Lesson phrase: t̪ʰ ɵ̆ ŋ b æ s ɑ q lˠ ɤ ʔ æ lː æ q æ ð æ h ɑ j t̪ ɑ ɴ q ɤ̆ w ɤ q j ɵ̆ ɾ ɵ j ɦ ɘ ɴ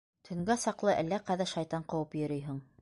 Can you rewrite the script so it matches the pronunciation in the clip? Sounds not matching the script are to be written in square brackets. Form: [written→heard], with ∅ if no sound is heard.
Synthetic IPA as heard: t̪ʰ ɵ̆ ŋ [b→ɡ] æ s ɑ q lˠ ɤ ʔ æ lː æ q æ ð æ [h→ʃ] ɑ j t̪ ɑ ɴ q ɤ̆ w ɤ [q→p] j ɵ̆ ɾ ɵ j ɦ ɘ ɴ